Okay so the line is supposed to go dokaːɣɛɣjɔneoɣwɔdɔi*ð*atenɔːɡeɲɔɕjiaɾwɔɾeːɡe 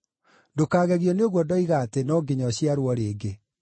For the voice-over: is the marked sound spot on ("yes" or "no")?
no